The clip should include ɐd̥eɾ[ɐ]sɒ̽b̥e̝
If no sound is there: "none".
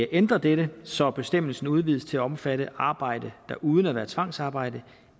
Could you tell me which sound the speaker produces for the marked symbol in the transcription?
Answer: ə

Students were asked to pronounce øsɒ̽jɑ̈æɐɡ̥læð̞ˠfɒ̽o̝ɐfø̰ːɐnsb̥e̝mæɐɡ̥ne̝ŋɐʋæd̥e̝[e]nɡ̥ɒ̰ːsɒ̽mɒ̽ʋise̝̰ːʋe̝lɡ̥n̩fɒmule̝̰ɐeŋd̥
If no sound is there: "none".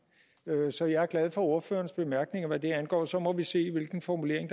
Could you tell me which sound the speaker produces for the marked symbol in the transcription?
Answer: æ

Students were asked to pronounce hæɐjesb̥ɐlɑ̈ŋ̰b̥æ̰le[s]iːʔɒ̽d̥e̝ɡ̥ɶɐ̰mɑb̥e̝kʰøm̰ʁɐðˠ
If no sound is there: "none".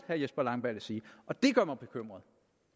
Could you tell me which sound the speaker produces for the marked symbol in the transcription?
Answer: s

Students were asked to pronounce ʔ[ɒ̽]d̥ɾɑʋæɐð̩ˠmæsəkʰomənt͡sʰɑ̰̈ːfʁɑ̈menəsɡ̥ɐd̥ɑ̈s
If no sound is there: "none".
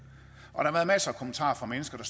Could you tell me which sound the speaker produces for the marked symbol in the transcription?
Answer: ɒ̽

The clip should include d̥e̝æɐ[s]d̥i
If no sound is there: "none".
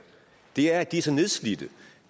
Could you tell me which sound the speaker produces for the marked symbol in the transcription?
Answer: none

